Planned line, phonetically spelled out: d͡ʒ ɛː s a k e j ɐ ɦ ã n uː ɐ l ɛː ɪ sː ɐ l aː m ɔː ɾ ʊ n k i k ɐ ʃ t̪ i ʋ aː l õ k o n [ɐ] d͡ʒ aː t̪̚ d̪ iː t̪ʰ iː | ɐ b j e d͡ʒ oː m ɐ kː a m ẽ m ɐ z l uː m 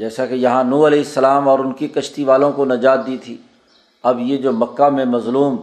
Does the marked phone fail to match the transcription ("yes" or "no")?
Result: no